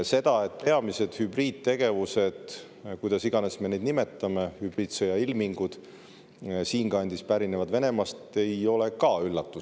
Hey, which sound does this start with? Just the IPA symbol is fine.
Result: s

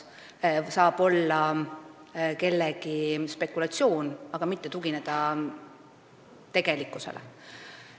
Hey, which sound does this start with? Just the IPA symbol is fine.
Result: s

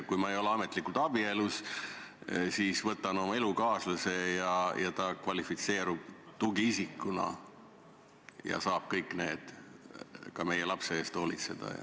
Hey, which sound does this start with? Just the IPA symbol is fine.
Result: k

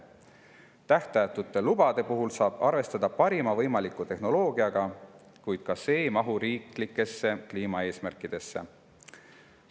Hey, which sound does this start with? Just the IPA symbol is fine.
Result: t̪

